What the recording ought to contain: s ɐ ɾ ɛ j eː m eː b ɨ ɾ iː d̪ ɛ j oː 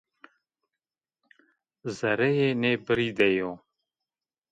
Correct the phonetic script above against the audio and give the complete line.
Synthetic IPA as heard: z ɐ ɾ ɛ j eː n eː b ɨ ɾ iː d̪ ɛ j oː